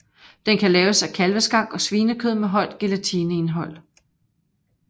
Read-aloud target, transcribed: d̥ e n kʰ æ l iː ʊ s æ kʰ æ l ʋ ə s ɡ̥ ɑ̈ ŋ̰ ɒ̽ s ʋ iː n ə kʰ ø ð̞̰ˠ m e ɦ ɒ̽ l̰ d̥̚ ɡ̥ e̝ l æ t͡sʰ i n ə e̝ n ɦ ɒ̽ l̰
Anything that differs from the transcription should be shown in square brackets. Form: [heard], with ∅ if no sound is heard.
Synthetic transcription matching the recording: d̥ e n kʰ æ l [ɛː] ʊ s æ kʰ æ l ʋ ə s ɡ̥ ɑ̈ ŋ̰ ɒ̽ s ʋ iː n ə kʰ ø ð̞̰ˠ m e ɦ ɒ̽ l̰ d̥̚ ɡ̥ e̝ l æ t͡sʰ i n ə e̝ n ɦ ɒ̽ l̰